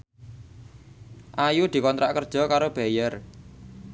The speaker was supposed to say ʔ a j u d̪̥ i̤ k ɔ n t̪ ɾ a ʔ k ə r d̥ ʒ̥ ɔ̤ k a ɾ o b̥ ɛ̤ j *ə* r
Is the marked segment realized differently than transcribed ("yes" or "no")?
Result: no